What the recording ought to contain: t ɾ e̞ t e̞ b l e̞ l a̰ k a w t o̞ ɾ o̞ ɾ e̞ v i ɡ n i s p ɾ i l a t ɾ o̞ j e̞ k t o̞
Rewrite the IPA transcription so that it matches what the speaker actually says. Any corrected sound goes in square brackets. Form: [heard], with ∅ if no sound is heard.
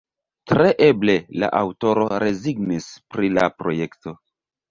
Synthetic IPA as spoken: t ɾ e̞ [ʔ] e̞ b l e̞ l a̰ [ʔ] a w t o̞ ɾ o̞ ɾ e̞ [z] i ɡ n i s p ɾ i l a [p] ɾ o̞ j e̞ k t o̞